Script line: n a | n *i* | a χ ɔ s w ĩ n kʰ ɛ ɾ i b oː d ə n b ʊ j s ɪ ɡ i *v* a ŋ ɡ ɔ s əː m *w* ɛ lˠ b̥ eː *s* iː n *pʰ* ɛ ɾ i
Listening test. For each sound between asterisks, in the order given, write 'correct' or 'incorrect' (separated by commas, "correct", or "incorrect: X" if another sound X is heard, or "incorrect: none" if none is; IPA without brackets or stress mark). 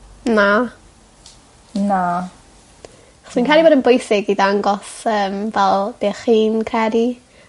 incorrect: a, incorrect: ð, incorrect: v, incorrect: χ, incorrect: kʰ